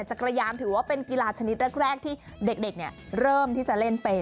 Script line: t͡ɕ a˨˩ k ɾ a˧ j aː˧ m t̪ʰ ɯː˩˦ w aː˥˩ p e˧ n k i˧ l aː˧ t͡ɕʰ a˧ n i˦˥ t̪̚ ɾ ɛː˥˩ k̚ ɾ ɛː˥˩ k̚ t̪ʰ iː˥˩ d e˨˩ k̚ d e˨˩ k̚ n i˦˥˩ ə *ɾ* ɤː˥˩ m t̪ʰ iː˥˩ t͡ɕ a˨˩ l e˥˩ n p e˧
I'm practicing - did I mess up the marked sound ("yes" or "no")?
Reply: no